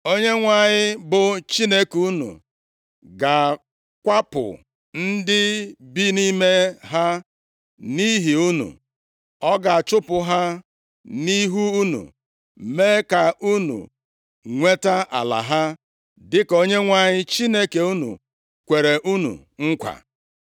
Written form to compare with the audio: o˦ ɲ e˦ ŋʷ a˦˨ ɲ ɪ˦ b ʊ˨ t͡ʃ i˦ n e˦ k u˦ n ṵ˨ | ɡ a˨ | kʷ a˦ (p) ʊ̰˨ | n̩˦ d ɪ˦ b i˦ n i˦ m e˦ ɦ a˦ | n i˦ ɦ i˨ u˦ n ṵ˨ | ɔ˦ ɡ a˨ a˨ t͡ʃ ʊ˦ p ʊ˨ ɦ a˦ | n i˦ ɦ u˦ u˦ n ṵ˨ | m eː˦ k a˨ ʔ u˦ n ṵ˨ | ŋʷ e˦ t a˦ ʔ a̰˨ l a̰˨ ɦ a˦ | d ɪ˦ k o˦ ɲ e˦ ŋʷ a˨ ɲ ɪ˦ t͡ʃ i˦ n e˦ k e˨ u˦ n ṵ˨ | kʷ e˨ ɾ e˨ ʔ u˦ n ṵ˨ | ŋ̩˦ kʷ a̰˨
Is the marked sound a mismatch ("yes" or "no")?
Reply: no